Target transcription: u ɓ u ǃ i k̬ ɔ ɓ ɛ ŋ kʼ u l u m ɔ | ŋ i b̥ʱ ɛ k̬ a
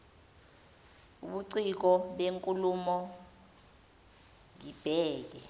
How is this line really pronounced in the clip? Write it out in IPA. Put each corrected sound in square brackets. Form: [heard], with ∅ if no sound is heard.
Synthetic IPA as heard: u ɓ u [ǀ] i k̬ ɔ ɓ [e] ŋ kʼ u l u m ɔ | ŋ i b̥ʱ [ɛː] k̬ [ɛ]